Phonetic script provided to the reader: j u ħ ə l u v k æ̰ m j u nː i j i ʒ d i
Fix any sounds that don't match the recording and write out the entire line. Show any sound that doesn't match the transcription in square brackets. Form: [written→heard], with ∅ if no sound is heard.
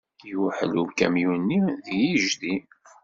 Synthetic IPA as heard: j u ħ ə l u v k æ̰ m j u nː i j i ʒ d i